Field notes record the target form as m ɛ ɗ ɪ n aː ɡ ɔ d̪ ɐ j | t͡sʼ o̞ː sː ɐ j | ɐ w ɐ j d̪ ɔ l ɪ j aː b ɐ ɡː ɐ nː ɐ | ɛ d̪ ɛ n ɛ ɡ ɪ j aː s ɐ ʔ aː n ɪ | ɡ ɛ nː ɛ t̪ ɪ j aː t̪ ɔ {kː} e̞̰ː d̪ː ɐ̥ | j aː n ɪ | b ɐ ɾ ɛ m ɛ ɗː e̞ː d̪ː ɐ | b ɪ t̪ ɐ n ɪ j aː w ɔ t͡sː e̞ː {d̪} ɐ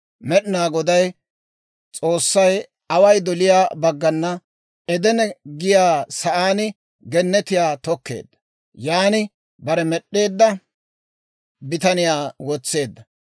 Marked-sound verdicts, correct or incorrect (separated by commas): correct, incorrect